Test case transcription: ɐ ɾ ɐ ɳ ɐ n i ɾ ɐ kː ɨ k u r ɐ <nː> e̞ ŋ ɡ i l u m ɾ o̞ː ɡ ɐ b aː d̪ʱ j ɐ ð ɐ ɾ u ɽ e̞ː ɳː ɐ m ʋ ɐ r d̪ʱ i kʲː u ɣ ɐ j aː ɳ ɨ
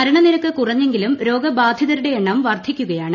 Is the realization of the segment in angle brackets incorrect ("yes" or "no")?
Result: yes